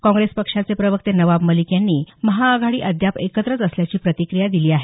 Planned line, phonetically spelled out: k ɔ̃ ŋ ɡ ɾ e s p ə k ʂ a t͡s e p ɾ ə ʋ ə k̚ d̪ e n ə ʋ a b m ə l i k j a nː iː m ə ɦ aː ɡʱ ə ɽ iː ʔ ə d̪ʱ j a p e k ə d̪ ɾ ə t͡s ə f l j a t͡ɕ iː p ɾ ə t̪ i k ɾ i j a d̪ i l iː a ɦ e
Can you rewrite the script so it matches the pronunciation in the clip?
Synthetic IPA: k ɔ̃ ŋ ɡ ɾ e s p ə k ʂ a t͡s e p ɾ ə ʋ ə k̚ t̪ e n ə ʋ a b m ə l i k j a nː iː m ə ɦ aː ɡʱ a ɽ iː ʔ ə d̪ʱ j a p e k ə t̪ ɾ ə t͡s ə s l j a t͡ɕ iː p ɾ ə t̪ i k ɾ i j a d̪ i l iː a ɦ e